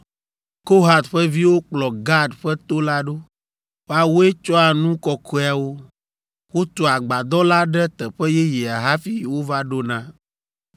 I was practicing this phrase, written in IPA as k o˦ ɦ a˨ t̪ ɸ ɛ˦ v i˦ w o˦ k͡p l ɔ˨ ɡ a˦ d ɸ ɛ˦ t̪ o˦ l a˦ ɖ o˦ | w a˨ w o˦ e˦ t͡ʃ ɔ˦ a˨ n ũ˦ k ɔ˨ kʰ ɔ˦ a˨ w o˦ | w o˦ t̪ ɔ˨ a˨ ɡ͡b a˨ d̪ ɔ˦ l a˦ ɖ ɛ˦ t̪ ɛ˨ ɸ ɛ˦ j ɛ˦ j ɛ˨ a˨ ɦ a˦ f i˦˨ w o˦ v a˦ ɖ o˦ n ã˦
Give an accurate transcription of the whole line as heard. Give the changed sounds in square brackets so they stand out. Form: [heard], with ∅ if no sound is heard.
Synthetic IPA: k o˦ ɦ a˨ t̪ ɸ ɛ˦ v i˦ w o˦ k͡p l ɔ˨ ɡ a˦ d ɸ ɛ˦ t̪ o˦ l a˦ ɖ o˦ | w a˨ w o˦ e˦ t͡ʃ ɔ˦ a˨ n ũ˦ k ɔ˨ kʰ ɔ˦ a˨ w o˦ | w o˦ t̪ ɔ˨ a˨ ɡ͡b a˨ d̪ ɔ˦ l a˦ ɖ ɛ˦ t̪ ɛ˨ ɸ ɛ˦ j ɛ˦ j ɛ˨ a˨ ɦ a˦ f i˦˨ w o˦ v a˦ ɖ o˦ n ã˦